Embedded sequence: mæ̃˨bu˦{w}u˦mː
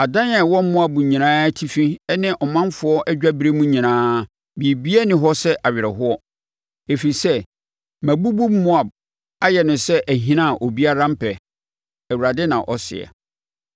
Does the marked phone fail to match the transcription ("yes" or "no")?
yes